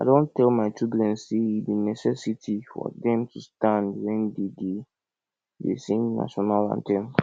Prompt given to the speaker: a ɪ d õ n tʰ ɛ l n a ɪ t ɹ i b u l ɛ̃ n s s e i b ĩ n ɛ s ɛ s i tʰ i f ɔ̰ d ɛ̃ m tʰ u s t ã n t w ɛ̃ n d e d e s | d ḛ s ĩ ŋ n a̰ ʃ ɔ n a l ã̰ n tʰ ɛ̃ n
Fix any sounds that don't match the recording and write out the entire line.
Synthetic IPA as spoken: a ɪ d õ n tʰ ɛ l m a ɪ t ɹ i b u l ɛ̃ n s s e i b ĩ n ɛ s ɛ s i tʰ i f ɔ̰ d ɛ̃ m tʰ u s t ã n d w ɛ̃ n d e d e | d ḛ s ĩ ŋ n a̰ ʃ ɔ n a l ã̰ n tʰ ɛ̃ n